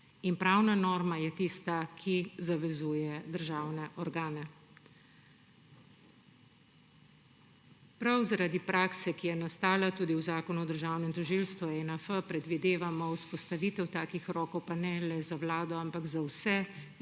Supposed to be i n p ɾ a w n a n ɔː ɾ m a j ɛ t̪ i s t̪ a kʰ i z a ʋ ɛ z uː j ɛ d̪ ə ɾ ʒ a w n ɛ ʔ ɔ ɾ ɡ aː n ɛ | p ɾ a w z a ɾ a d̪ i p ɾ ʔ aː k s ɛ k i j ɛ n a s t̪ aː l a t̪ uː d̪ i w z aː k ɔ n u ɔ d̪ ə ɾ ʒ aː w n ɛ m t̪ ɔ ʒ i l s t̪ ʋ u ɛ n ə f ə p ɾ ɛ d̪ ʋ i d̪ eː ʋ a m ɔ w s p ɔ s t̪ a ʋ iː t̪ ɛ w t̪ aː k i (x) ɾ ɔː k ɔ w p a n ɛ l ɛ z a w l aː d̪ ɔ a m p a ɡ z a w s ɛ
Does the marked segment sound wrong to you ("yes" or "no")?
no